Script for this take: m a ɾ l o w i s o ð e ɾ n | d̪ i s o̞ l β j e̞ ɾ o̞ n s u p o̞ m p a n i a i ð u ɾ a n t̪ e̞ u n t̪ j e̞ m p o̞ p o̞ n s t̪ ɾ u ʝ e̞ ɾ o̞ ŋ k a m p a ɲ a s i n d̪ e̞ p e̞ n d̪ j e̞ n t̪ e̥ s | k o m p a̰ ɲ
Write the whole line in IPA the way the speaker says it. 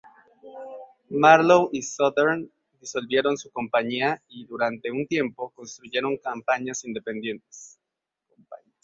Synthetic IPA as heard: m a ɾ l o w i s o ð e ɾ n | d̪ i s o̞ l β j e̞ ɾ o̞ n s u k o̞ m p a ɲ i a i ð u ɾ a n t̪ e̞ u n t̪ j e̞ m p o̞ k o̞ n s t̪ ɾ u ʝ e̞ ɾ o̞ ŋ k a m p a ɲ a s i n d̪ e̞ p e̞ n d̪ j e̞ n t̪ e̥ s | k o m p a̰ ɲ